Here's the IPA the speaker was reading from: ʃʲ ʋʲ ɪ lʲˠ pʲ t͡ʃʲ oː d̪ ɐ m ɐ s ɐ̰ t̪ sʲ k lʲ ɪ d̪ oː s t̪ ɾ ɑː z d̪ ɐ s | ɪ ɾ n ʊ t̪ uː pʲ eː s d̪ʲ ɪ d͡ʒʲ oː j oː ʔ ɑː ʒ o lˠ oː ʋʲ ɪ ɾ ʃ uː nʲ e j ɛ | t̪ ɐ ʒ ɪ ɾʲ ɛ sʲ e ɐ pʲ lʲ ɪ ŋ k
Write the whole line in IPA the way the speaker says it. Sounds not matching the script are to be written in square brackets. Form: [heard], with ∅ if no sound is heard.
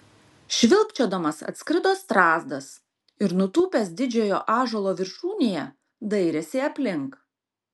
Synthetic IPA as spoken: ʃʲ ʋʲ ɪ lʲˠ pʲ t͡ʃʲ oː d̪ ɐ m ɐ s ɐ̰ t̪ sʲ k [ɾʲ] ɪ d̪ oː s t̪ ɾ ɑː z d̪ ɐ s | ɪ ɾ n ʊ t̪ uː pʲ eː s d̪ʲ ɪ d͡ʒʲ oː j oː ʔ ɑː ʒ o lˠ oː ʋʲ ɪ ɾ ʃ uː nʲ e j ɛ | [d̪] ɐ [∅] ɪ ɾʲ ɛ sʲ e ɐ pʲ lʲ ɪ ŋ k